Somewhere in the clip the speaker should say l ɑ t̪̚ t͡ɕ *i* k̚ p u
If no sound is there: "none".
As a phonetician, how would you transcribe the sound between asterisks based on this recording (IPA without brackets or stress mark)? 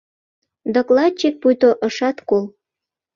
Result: e